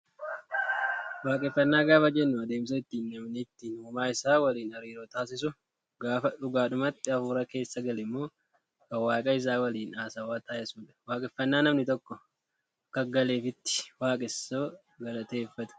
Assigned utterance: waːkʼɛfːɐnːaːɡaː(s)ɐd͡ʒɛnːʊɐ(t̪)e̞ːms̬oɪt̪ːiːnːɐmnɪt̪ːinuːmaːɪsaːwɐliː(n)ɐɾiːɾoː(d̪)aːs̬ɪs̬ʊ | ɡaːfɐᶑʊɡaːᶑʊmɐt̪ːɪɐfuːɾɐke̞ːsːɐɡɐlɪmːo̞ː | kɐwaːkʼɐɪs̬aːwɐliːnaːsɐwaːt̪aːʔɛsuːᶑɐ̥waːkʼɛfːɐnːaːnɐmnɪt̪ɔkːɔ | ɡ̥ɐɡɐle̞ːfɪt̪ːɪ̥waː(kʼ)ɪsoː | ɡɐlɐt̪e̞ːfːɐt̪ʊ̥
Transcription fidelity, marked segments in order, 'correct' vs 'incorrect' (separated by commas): incorrect, incorrect, correct, incorrect, correct